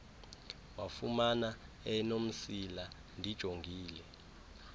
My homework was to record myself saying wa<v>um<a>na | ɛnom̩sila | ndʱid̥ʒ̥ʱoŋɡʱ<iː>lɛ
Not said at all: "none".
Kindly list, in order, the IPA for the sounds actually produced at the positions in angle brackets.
f, a, iː

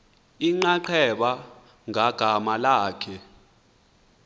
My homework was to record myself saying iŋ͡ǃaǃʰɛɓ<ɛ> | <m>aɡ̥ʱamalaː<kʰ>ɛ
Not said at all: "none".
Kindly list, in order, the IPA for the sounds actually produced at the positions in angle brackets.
a, ŋ, kʰ

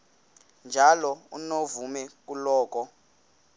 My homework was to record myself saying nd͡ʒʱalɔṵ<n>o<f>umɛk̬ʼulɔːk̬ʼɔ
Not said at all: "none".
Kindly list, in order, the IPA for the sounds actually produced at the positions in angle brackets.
n, v

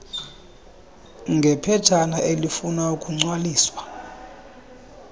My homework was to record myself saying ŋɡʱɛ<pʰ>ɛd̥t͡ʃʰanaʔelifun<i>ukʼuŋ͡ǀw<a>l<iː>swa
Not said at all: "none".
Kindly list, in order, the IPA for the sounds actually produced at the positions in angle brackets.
pʰ, a, a, iː

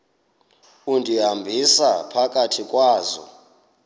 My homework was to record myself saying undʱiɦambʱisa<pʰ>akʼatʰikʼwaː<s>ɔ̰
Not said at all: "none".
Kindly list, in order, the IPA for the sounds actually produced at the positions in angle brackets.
pʰ, z

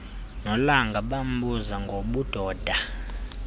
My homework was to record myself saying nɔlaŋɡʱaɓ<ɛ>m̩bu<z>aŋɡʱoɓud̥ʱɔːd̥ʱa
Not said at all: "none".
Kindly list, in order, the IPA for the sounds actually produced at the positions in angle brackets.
a, z

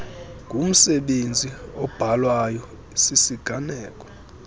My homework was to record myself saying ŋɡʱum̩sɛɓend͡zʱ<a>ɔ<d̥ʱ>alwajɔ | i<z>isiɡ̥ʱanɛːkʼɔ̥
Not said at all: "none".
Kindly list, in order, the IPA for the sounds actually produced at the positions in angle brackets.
i, b̥ʱ, s

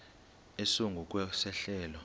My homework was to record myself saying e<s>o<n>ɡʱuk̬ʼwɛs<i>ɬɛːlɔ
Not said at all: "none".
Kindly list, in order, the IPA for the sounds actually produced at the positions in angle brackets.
s, ŋ, ɛ

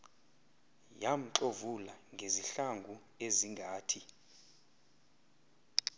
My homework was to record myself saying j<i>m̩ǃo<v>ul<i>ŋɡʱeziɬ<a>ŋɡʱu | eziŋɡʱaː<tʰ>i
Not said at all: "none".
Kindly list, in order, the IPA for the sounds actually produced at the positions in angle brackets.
a, v, a, a, tʰ

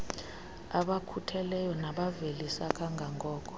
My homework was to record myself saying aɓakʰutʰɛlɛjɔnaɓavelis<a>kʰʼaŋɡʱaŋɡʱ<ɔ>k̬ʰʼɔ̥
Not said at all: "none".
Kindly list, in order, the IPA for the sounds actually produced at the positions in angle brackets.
a, ɔː

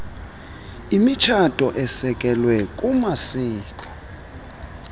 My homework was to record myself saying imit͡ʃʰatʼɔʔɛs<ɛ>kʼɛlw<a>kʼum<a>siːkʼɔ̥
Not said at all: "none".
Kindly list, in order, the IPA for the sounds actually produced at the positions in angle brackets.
ɛ, ɛ, a

